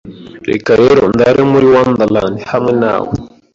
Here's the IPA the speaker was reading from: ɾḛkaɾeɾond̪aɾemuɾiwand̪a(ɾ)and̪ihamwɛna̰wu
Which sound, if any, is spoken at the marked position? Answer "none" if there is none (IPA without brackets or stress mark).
l